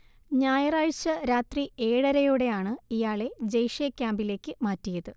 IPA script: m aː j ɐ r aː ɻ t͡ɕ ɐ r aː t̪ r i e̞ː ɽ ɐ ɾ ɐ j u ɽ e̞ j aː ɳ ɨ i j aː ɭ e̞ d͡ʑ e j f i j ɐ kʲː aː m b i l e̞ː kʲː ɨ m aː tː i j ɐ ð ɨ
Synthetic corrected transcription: ɲ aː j ɐ r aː ɻ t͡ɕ ɐ ɾ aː t̪ r i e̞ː ɽ ɐ ɾ ɐ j u ɽ e̞ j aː ɳ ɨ i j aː ɭ e̞ d͡ʑ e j ʂ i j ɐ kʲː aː m b i l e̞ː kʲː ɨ m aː tː i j ɐ ð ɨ

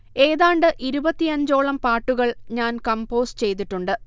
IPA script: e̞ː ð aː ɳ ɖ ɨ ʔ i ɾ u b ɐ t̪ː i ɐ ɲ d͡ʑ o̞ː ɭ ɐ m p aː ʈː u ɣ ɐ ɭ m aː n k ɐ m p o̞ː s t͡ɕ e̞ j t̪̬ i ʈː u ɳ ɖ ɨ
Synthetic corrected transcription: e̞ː ð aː ɳ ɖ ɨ ʔ i ɾ u b ɐ t̪ː i ɐ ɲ d͡ʑ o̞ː ɭ ɐ m p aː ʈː u ɣ ɐ ɭ ɲ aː n k ɐ m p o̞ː s t͡ɕ e̞ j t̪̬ i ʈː u ɳ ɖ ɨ

